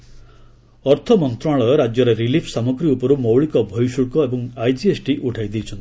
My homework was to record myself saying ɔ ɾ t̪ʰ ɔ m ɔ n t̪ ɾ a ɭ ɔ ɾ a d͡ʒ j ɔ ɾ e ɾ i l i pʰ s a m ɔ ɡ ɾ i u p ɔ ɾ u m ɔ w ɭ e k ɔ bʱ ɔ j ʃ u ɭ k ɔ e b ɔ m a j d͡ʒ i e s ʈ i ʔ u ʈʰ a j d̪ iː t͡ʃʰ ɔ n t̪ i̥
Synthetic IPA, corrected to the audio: ɔ ɾ t̪ʰ ɔ m ɔ n t̪ ɾ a ɭ ɔ ɾ a d͡ʒ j ɔ ɾ e ɾ i l i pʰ s a m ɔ ɡ ɾ i u p ɔ ɾ u m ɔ w ɭ i k ɔ bʱ ɔ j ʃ u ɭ k ɔ e b ɔ ŋ a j d͡ʒ i e s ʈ i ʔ u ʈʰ a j d̪ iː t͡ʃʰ ɔ n t̪ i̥